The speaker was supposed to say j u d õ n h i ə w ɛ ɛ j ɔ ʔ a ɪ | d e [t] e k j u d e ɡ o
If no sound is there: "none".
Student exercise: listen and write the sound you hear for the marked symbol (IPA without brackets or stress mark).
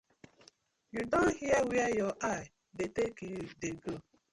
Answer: t